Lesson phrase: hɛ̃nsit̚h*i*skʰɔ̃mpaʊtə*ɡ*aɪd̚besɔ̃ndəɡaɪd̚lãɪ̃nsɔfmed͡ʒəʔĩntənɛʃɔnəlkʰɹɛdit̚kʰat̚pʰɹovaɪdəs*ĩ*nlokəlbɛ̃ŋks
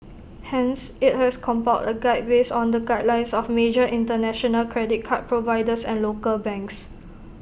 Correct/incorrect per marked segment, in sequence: incorrect, correct, incorrect

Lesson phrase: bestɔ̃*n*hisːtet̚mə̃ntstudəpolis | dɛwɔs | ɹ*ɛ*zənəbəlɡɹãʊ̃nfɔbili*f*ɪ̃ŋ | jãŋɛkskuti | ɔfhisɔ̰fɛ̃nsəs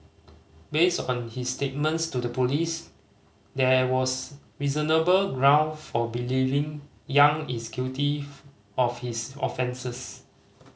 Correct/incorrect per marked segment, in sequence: correct, incorrect, incorrect

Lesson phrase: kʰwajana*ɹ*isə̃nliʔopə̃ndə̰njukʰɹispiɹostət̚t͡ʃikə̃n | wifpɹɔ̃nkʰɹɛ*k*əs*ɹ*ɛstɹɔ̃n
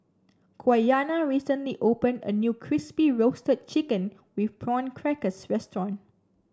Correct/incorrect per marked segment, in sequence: correct, correct, correct

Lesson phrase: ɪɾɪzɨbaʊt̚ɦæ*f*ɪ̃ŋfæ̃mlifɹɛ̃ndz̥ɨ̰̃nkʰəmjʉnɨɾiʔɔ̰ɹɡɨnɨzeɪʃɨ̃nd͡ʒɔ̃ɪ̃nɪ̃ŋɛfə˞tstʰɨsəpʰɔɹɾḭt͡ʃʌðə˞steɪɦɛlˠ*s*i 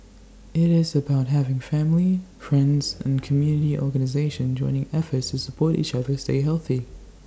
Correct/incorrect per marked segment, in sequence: incorrect, incorrect

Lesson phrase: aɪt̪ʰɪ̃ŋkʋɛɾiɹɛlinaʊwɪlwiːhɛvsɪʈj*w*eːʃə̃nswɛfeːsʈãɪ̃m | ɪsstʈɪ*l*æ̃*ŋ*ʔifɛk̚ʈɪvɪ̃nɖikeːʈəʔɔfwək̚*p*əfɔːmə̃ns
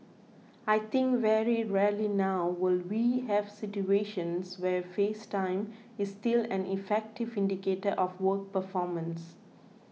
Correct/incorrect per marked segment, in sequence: incorrect, correct, incorrect, correct

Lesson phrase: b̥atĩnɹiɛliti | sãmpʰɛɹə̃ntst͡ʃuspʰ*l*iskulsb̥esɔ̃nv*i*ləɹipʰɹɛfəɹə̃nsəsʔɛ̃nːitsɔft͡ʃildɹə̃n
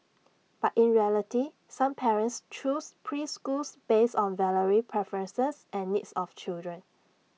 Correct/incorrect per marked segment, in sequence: incorrect, incorrect

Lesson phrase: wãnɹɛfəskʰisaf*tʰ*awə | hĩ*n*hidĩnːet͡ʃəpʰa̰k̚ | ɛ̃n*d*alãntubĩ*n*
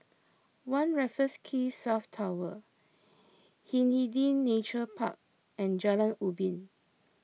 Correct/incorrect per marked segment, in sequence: correct, correct, incorrect, correct

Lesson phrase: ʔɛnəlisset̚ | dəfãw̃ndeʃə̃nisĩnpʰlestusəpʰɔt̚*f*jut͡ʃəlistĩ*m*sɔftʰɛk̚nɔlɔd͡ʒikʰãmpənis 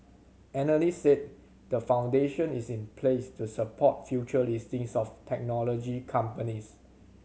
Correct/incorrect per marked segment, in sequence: correct, incorrect

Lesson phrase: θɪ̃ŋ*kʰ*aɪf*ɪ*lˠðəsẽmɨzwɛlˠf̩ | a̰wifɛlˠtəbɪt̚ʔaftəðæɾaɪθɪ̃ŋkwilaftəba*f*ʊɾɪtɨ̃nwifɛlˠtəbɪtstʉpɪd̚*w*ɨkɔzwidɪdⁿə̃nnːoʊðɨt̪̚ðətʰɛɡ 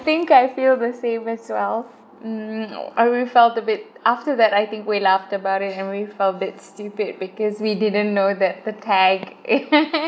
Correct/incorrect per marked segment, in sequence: incorrect, incorrect, incorrect, incorrect

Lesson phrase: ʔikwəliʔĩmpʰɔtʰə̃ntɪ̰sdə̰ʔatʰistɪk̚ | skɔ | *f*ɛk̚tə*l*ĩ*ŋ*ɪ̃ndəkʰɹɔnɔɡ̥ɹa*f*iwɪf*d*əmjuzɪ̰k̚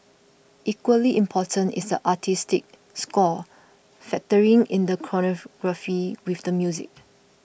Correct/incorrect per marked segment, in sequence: correct, incorrect, correct, correct, correct

